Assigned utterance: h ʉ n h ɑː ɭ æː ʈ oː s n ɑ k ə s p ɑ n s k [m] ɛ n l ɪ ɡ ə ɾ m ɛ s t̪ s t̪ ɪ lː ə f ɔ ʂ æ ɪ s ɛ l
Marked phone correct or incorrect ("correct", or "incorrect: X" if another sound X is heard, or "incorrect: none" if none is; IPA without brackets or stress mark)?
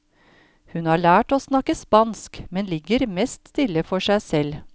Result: correct